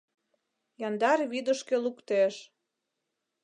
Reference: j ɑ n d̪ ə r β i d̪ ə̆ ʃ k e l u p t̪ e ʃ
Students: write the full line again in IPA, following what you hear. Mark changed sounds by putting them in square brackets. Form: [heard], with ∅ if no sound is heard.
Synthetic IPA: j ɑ n d̪ [ɑ] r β i d̪ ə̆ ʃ k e l u [k] t̪ e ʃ